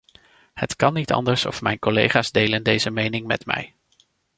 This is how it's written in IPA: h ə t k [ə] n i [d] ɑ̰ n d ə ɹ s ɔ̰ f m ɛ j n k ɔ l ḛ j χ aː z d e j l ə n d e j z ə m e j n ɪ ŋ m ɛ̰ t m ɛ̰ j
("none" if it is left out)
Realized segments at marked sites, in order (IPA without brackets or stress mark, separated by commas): ɑ, t